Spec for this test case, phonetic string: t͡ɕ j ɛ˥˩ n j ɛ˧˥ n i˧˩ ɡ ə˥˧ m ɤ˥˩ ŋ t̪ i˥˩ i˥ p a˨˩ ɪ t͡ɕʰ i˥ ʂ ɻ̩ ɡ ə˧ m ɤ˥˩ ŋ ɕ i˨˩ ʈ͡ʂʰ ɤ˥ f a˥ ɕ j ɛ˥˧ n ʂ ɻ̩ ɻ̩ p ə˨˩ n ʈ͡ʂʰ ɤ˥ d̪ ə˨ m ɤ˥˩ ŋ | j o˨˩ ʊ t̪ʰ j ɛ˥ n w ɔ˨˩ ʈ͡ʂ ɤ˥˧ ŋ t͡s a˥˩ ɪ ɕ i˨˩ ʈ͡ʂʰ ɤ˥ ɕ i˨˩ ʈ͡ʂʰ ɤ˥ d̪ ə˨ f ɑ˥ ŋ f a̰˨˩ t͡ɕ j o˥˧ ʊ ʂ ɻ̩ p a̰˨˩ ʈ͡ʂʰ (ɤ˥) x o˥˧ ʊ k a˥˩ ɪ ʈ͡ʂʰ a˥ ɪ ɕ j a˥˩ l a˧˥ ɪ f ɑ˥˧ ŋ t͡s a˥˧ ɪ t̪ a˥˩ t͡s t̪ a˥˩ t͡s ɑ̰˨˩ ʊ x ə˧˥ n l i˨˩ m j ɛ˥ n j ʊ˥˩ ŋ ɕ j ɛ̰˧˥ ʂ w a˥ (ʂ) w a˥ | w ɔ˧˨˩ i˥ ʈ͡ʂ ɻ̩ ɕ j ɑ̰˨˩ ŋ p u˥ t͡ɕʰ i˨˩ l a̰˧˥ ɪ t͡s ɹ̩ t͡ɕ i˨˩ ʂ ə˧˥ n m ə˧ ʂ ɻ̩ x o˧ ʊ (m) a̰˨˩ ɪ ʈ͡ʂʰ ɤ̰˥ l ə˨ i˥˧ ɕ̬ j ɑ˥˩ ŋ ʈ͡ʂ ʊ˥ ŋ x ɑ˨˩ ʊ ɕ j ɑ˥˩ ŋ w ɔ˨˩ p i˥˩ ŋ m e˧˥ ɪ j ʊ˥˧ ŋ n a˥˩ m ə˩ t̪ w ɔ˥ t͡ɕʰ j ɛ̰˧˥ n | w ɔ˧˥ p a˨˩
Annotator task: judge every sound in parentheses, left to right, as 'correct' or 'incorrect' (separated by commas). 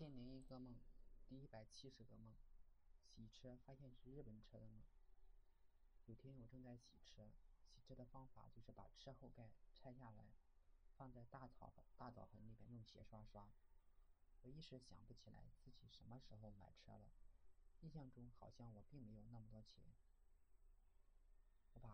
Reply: correct, correct, correct